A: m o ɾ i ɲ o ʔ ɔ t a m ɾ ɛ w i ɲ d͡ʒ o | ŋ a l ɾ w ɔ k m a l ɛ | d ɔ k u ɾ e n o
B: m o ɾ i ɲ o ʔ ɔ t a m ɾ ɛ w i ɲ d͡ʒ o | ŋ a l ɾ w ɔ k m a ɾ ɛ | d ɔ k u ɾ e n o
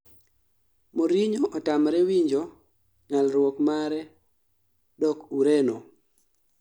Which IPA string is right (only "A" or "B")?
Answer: B